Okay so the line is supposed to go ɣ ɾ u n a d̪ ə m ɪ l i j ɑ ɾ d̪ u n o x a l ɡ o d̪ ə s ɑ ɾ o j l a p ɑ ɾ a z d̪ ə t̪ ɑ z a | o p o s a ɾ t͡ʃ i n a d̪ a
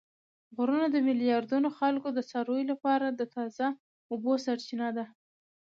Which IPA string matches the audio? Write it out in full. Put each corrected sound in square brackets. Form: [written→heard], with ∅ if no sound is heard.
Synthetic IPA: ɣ ɾ u n a d̪ ə m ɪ l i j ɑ ɾ d̪ u n o x a l [ɡ→k] o d̪ ə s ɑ ɾ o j l a p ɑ ɾ a [z→∅] d̪ ə t̪ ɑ z a | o [p→b] o s a ɾ t͡ʃ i n a d̪ a

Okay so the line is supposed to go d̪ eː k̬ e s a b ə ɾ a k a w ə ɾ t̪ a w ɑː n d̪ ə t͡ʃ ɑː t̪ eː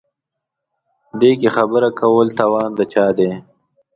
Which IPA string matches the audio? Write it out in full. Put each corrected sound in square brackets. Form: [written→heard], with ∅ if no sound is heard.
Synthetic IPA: d̪ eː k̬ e [s→x] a b ə ɾ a k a w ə [ɾ→l] t̪ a w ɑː n d̪ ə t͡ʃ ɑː [t̪→d̪] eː

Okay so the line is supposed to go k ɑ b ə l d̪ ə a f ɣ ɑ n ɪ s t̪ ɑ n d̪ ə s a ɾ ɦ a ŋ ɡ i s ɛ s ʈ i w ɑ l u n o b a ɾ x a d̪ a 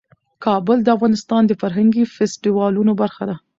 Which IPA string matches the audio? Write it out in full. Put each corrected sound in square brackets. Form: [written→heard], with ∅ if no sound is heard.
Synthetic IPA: k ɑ b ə l d̪ ə a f ɣ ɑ n ɪ s t̪ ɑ n d̪ ə [s→f] a ɾ ɦ a ŋ ɡ i [s→f] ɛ s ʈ i w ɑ l u n o b a ɾ x a d̪ a

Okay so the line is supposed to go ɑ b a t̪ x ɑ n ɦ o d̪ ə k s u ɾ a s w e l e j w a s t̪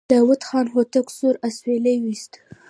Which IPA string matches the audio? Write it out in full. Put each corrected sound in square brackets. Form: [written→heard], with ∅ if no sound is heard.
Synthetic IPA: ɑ [b→w] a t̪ x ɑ n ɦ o [d̪→t̪] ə k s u ɾ a s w e l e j w [a→i] s t̪

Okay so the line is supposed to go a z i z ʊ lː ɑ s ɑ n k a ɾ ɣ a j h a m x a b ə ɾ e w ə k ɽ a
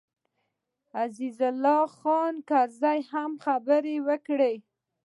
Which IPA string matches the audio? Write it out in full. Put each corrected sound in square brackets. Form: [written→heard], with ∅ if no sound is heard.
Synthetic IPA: a z i z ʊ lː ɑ [s→x] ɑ n k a ɾ [ɣ→z] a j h a m x a b ə ɾ e w ə k ɽ [a→e]

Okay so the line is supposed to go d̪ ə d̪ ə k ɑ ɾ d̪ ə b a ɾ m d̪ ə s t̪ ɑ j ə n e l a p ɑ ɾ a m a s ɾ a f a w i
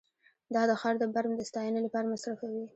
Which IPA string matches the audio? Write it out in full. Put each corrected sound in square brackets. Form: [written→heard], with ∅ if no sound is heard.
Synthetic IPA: d̪ [ə→ɑ] d̪ ə [k→x] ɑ ɾ d̪ ə b a ɾ m d̪ ə s t̪ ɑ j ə n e l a p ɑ ɾ a m a s ɾ a f a w i

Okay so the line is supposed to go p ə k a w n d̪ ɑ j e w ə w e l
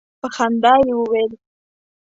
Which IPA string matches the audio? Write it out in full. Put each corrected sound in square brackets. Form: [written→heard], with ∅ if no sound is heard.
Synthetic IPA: p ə [k→x] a [w→∅] n d̪ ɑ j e w ə w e l

